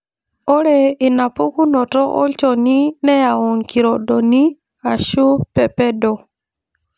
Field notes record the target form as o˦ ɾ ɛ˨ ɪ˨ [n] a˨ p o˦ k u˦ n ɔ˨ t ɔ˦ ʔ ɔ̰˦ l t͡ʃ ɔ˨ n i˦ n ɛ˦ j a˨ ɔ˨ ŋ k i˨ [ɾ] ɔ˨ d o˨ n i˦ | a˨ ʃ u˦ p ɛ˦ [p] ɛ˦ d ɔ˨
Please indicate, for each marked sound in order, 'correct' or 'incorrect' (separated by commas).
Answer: correct, correct, correct